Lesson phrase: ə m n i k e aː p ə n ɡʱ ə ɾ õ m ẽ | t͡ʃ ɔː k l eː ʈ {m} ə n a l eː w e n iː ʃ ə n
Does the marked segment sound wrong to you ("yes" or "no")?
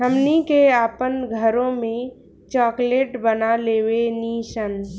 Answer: yes